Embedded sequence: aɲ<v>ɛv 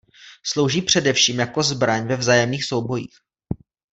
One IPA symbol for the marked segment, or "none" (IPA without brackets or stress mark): v